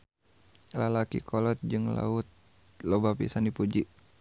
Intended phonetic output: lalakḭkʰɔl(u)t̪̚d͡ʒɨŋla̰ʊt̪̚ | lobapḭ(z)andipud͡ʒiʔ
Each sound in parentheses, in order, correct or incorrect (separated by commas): incorrect, incorrect